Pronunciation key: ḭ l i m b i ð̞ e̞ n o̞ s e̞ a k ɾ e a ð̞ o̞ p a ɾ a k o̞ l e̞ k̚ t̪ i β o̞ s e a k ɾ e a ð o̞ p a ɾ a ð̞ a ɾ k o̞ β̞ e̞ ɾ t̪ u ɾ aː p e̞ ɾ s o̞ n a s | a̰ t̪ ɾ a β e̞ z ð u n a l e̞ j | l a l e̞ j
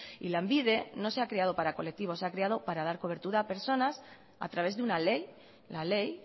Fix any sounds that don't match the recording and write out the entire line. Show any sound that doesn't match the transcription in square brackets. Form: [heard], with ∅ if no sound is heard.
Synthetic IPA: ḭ l [a] m b i ð̞ e̞ n o̞ s e̞ a k ɾ e a ð̞ o̞ p a ɾ a k o̞ l e̞ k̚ t̪ i β o̞ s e a k ɾ e a ð o̞ p a ɾ a ð̞ a ɾ k o̞ β̞ e̞ ɾ t̪ u ɾ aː p e̞ ɾ s o̞ n a s | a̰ t̪ ɾ a β e̞ z ð u n a l e̞ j | l a l e̞ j